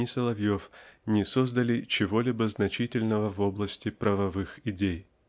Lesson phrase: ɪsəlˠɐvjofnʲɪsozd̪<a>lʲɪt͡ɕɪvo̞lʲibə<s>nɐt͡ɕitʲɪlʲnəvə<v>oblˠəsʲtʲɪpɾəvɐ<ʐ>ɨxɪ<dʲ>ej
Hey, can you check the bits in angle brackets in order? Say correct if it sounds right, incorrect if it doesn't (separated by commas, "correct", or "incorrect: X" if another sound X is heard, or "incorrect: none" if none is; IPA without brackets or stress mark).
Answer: incorrect: ə, incorrect: z, correct, incorrect: v, correct